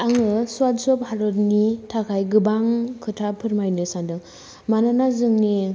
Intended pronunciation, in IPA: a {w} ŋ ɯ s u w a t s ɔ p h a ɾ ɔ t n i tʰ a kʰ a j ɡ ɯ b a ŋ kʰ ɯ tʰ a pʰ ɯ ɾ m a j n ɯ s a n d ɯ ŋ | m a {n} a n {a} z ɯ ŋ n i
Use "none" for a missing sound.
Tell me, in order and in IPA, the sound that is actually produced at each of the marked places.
none, n, a

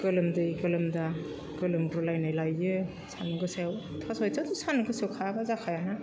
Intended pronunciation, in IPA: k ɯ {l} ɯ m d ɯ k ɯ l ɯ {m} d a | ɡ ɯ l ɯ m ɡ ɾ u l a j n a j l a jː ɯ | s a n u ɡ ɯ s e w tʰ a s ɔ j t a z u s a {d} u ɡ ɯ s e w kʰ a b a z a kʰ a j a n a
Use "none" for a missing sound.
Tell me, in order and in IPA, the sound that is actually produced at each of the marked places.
l, m, n

